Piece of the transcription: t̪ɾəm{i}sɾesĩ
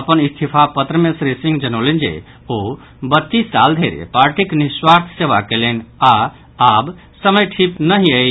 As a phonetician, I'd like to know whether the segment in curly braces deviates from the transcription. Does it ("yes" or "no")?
yes